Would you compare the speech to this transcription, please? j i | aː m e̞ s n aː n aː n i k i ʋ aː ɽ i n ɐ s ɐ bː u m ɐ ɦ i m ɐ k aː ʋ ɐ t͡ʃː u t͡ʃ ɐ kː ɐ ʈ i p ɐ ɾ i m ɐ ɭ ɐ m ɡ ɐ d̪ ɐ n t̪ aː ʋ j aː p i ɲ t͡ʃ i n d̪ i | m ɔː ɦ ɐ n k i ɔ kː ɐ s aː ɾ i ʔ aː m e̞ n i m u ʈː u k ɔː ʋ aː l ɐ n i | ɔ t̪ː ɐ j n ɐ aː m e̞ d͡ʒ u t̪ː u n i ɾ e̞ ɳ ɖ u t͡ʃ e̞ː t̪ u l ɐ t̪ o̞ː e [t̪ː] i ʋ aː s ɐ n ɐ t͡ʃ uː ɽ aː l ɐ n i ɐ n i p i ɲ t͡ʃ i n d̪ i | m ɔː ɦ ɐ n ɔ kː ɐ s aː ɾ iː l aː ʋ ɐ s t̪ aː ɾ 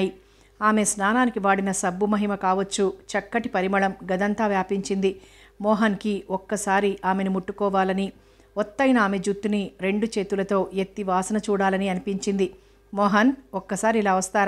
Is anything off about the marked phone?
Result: no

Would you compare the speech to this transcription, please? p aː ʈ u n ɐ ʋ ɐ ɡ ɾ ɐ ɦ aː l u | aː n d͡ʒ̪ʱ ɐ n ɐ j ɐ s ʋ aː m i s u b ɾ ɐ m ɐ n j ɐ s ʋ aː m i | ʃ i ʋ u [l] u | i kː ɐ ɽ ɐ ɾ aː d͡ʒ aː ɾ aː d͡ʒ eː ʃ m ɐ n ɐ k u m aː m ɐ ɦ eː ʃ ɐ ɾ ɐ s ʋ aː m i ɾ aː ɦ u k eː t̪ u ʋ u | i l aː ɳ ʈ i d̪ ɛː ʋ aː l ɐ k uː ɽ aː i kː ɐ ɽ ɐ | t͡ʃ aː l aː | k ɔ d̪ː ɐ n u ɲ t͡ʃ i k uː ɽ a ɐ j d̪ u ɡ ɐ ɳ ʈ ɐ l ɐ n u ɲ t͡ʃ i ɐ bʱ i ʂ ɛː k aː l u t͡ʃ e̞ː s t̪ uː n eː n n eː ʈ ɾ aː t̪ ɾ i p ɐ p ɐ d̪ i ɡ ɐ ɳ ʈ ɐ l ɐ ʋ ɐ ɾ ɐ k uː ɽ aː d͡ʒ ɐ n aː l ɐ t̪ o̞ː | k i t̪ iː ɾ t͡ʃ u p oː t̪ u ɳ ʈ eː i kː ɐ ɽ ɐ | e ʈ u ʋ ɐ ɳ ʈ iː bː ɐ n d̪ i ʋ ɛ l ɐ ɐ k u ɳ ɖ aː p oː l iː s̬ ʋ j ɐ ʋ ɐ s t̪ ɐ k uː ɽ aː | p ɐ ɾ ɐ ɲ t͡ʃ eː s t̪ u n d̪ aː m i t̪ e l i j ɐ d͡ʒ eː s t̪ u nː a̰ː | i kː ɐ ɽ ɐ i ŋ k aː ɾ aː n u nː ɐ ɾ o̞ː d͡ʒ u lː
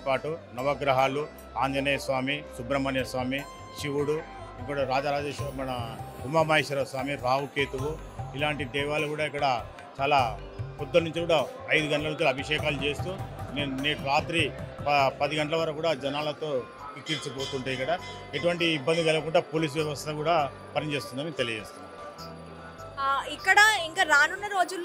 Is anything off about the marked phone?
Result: yes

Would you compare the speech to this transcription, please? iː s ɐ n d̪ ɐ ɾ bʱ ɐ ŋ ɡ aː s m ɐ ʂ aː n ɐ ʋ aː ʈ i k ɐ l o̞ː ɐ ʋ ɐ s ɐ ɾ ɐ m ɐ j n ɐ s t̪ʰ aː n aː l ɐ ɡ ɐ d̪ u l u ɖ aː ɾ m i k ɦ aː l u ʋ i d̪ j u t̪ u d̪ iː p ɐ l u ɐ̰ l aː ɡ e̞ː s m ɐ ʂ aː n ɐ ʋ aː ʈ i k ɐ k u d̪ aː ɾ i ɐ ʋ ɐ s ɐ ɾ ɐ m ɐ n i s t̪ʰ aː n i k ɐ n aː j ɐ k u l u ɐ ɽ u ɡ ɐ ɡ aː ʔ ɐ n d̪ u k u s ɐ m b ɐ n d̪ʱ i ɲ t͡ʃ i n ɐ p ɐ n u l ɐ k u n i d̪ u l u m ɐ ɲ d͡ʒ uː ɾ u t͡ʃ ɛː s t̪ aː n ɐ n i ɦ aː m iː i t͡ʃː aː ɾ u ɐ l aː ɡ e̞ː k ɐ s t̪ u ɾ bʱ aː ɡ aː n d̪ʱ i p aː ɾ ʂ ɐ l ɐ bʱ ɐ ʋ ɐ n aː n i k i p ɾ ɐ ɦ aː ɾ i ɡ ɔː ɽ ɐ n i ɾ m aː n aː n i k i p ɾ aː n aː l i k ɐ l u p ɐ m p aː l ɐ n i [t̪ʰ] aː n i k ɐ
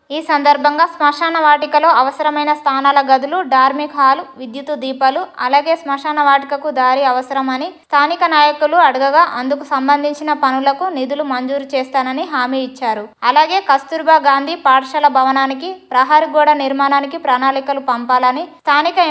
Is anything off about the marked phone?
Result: no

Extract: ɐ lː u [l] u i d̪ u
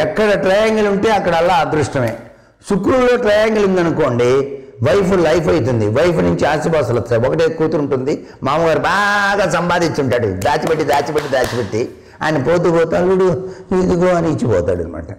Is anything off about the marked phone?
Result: yes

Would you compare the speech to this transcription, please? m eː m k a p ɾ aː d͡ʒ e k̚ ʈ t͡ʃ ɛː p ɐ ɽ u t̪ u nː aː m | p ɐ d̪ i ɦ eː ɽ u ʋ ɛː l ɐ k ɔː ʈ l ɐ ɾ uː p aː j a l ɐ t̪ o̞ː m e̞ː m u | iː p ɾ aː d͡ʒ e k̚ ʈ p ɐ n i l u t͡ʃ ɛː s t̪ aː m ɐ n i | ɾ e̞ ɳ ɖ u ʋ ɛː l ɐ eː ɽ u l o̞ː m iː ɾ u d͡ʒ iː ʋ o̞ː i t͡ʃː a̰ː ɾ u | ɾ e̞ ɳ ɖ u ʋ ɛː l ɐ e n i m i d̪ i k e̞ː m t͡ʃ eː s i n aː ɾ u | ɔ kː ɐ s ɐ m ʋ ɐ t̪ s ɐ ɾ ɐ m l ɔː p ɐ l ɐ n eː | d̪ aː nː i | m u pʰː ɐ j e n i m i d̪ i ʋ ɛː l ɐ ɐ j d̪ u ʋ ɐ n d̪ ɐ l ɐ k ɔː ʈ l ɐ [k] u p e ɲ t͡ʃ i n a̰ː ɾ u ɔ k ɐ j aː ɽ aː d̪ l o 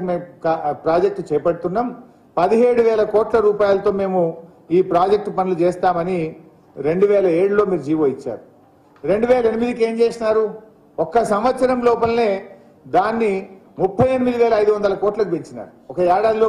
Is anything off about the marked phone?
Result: no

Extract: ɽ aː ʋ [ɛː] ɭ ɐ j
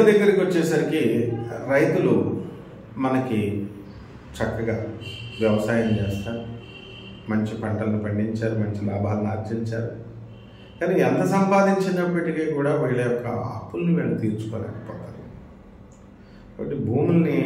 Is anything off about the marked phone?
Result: yes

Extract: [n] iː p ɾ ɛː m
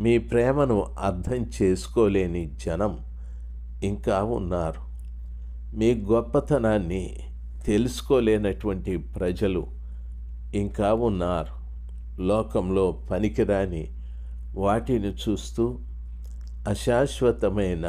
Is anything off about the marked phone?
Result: yes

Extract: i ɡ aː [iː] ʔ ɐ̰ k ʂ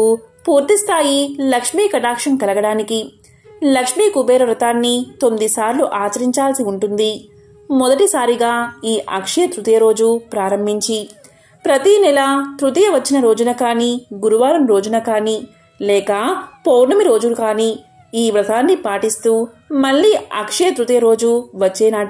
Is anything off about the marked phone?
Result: no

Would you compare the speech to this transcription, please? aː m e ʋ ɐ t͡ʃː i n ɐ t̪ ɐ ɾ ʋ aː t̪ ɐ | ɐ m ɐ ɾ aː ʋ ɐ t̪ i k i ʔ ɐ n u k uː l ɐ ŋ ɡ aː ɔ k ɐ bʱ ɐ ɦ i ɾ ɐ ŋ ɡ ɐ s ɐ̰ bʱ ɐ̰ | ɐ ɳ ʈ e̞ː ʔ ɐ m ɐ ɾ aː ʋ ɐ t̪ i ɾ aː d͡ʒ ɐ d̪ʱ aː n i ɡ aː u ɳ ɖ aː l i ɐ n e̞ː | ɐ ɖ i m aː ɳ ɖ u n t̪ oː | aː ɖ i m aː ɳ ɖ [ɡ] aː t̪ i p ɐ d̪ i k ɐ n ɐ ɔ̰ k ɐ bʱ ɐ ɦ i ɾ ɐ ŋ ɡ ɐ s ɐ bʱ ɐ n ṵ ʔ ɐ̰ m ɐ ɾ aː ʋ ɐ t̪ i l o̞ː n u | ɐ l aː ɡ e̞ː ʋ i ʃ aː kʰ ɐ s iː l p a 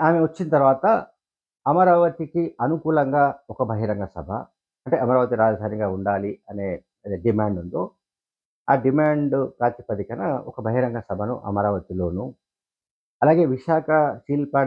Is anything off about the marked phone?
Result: yes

